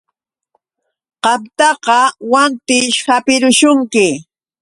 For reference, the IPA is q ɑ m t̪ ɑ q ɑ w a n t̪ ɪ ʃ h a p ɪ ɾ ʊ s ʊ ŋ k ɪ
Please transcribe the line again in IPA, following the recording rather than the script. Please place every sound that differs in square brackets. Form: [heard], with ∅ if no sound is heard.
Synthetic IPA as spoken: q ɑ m t̪ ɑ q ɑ w a n t̪ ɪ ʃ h a p ɪ ɾ ʊ [ʃ] ʊ ŋ k ɪ